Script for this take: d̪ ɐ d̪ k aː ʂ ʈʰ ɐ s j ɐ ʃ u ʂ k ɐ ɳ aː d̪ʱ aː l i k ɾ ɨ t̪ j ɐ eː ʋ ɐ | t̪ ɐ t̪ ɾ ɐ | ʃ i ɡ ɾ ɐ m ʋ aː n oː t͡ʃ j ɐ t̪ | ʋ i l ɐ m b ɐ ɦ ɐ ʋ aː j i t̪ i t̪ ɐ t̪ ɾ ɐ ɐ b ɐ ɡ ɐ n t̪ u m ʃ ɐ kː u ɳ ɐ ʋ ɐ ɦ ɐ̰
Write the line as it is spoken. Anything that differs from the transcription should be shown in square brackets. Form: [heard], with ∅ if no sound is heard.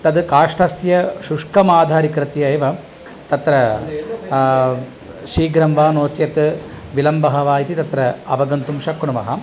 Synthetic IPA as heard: [t̪] ɐ d̪ k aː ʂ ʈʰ ɐ s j ɐ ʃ u ʂ k ɐ [m] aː d̪ʱ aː [ɾ] i k ɾ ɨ t̪ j ɐ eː ʋ ɐ | t̪ ɐ t̪ ɾ ɐ | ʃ [iː] ɡ ɾ ɐ m ʋ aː n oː t͡ʃ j ɐ t̪ | ʋ i l ɐ m b ɐ ɦ ɐ ʋ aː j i t̪ i t̪ ɐ t̪ ɾ ɐ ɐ b ɐ ɡ ɐ n t̪ u m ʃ ɐ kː u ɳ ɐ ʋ ɐ ɦ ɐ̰